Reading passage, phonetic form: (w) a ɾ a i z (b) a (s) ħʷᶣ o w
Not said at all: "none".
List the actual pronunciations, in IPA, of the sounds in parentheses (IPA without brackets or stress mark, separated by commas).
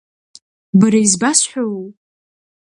b, b, s